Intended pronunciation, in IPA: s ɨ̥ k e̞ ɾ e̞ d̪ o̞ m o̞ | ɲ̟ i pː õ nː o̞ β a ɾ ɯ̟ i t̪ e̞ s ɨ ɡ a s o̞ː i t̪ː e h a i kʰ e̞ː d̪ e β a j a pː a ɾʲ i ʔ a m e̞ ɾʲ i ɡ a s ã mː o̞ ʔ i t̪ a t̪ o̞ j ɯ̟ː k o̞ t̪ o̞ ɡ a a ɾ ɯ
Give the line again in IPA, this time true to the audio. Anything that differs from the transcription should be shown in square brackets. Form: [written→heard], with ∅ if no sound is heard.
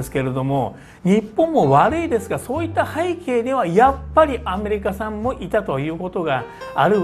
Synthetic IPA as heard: s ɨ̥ k e̞ ɾ e̞ d̪ o̞ m o̞ | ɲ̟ i pː õ [nː→mː] o̞ β a ɾ ɯ̟ i [t̪→d̪] e̞ s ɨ ɡ a s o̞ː i t̪ː [e→a] h a i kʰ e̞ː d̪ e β a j a pː a ɾʲ i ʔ a m e̞ ɾʲ i [ɡ→k] a s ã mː o̞ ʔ i t̪ a t̪ o̞ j ɯ̟ː k o̞ t̪ o̞ ɡ a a ɾ ɯ